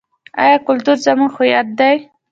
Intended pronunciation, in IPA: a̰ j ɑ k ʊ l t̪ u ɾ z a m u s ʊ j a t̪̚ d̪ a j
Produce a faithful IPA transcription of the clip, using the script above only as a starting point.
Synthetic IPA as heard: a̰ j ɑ k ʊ l t̪ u ɾ z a m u x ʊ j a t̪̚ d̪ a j